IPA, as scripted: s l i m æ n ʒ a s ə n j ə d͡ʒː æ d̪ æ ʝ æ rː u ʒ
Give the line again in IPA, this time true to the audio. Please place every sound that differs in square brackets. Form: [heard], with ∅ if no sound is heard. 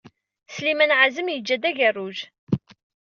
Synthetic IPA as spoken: s l i m æ n [ʕ] a [z] ə [m] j ə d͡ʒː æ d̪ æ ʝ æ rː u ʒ